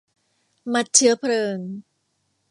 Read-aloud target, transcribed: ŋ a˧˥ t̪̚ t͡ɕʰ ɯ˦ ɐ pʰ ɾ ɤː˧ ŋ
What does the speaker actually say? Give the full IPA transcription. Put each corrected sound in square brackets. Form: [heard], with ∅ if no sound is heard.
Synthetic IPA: [m] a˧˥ t̪̚ t͡ɕʰ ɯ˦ ɐ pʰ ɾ ɤː˧ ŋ